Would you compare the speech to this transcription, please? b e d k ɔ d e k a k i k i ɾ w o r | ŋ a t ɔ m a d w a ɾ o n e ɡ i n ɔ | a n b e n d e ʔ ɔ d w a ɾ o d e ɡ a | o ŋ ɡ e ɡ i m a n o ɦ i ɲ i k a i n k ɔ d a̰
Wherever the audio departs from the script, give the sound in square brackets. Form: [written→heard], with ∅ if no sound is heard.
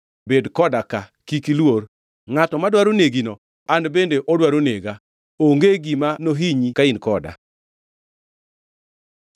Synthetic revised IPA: b e d k ɔ d [e→a] k a k i k i [ɾ→l] w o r | ŋ a t ɔ m a d w a ɾ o n e ɡ i n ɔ | a n b e n d e ʔ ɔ d w a ɾ o [d→n] e ɡ a | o ŋ ɡ e ɡ i m a n o ɦ i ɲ i k a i n k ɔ d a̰